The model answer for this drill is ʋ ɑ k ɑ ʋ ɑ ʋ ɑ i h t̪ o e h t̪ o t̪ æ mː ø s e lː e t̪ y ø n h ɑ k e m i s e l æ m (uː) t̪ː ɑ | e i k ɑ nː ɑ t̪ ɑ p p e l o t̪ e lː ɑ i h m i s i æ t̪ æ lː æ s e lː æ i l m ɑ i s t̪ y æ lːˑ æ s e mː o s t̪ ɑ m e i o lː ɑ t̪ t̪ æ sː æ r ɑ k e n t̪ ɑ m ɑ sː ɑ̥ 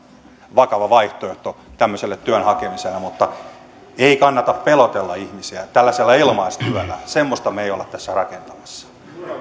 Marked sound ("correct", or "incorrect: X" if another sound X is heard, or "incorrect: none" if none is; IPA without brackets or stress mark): incorrect: u